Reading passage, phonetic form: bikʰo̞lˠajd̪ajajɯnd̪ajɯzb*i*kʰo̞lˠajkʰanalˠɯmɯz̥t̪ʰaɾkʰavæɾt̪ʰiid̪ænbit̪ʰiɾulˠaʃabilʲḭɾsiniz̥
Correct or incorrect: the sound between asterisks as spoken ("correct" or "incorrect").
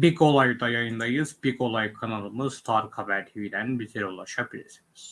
correct